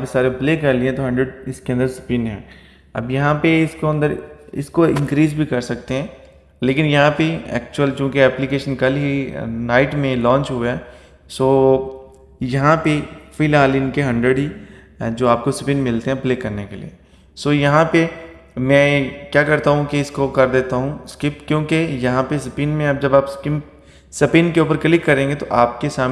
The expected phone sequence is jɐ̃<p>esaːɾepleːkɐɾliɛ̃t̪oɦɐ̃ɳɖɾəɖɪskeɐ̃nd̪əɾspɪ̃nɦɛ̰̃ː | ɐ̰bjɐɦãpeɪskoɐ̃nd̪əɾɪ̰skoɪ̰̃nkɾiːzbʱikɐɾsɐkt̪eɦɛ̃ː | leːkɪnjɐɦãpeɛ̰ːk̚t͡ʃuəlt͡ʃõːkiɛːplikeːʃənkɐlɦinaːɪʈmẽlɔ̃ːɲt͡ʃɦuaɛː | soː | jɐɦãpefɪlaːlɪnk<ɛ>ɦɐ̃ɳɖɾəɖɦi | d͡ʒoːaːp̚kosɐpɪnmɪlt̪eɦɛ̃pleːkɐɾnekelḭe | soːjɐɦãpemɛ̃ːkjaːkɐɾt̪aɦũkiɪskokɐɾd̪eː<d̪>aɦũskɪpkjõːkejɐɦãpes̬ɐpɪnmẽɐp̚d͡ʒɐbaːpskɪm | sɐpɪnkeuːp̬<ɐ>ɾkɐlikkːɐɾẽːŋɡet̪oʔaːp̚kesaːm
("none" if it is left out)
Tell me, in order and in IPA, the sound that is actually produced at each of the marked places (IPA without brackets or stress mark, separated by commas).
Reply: p, e, t̪, ə